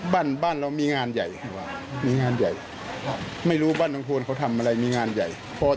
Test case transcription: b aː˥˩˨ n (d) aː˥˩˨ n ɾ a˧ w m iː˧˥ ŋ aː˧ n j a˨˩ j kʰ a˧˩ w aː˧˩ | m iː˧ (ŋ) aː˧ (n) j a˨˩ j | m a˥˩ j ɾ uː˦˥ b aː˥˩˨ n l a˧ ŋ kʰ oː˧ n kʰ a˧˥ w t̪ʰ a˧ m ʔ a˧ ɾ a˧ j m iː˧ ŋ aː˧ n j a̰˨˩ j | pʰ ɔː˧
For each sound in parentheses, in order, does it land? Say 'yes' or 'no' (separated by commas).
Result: no, yes, yes